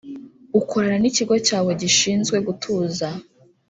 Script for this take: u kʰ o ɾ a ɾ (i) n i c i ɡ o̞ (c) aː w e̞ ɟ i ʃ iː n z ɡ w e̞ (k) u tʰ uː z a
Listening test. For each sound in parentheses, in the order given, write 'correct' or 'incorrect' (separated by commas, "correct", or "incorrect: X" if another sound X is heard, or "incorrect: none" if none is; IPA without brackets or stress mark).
incorrect: a, correct, incorrect: ɡ